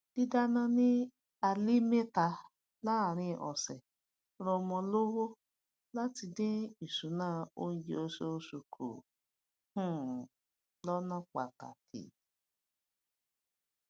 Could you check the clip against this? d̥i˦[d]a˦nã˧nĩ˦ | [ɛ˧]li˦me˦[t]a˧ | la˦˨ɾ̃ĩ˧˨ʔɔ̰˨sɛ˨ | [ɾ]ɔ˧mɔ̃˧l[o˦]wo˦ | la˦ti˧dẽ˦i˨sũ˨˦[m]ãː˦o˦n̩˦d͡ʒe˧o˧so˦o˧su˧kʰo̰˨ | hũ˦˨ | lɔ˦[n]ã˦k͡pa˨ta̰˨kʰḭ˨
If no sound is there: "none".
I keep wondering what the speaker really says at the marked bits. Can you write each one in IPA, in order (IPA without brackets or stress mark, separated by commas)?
d, a˧, t, ɾ, o˦, n, n